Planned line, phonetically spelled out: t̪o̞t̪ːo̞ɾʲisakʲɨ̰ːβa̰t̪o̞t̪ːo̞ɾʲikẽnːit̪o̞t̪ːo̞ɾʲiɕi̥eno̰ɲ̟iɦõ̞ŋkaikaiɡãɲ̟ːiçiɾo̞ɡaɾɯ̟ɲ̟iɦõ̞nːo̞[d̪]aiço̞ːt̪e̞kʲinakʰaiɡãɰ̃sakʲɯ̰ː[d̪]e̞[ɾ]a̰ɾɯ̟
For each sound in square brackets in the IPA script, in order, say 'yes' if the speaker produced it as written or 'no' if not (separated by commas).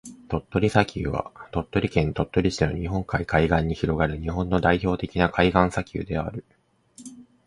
yes, yes, no